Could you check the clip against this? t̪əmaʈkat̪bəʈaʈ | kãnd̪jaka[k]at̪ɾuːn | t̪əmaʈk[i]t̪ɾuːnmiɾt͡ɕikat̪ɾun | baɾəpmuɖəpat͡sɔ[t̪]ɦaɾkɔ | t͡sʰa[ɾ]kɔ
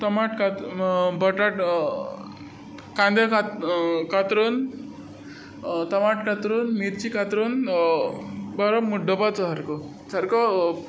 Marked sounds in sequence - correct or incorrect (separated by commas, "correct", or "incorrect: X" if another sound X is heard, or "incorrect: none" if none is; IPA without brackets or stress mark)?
correct, incorrect: a, incorrect: none, correct